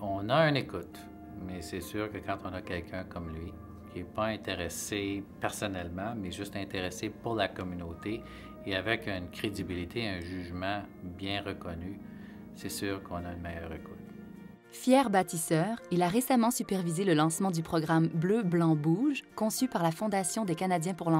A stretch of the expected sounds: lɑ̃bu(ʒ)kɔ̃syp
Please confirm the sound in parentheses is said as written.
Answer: yes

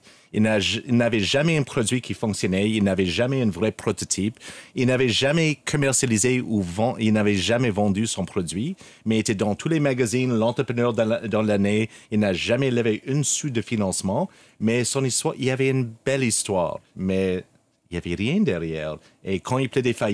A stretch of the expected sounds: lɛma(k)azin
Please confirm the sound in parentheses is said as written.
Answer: no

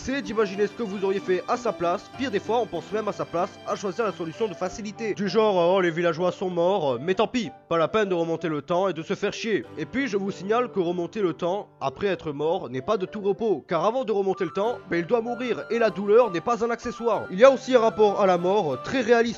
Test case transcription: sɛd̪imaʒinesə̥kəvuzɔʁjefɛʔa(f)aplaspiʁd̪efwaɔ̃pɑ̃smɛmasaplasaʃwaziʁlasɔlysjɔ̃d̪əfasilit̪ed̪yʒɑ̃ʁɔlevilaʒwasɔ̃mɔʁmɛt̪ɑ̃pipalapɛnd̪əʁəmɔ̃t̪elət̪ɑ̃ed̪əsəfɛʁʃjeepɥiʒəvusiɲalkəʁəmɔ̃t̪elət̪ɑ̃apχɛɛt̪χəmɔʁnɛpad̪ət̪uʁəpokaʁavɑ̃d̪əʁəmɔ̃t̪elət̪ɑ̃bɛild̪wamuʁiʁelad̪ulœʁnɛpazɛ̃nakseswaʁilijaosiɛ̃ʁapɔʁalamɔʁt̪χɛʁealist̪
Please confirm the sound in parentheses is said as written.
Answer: no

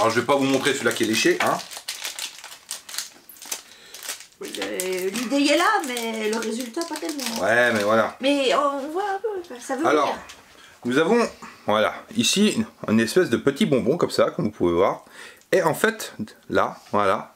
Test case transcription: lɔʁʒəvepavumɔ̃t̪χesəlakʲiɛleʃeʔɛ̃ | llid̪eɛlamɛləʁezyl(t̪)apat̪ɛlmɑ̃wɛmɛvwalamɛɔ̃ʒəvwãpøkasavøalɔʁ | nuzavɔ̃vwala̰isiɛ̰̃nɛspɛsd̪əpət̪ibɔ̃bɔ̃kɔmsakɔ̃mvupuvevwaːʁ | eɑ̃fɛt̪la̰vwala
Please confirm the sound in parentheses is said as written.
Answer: yes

